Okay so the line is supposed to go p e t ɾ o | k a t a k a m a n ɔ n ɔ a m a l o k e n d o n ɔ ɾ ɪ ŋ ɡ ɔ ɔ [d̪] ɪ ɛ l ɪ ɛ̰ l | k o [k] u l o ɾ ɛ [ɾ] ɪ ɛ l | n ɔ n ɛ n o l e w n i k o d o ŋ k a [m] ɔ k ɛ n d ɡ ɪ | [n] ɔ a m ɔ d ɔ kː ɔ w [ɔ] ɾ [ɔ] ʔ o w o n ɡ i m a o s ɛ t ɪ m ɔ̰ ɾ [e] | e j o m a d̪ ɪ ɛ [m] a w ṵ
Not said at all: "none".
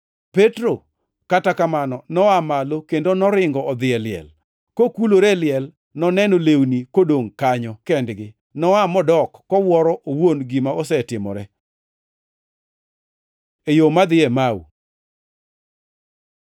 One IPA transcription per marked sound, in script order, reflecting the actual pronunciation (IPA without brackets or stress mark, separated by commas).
d̪, k, l, ɲ, n, ɔ, ɔ, ɛ, m